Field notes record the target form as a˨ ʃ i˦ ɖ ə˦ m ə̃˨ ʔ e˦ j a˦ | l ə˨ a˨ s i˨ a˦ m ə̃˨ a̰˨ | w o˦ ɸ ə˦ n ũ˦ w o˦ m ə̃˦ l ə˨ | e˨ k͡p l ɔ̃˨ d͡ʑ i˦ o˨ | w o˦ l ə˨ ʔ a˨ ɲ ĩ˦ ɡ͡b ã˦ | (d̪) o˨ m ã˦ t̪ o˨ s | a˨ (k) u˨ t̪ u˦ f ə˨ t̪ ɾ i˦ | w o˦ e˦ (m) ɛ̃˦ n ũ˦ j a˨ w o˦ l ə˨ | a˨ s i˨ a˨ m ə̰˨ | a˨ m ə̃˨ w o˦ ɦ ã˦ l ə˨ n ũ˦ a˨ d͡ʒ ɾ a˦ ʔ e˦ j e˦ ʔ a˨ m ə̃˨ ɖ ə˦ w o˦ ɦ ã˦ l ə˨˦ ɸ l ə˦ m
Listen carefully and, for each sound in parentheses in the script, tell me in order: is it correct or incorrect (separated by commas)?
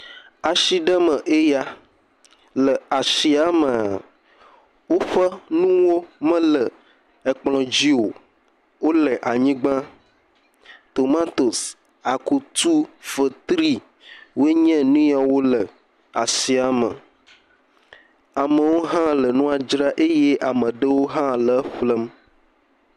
incorrect, correct, incorrect